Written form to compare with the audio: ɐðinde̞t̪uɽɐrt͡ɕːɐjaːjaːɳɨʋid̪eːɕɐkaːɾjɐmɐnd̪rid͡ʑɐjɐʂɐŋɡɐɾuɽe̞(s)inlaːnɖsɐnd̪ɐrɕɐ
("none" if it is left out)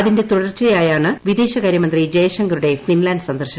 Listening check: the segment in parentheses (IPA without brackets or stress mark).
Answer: f